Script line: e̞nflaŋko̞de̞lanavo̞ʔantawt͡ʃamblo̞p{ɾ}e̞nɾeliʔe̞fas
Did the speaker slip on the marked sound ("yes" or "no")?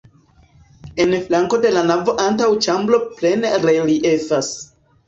yes